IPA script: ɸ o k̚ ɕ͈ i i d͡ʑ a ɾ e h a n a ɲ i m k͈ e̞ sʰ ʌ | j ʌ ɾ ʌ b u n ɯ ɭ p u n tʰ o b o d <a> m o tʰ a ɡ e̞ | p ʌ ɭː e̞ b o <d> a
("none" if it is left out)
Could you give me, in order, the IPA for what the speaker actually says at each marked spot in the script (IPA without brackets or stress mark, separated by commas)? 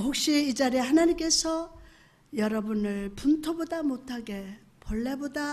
a, d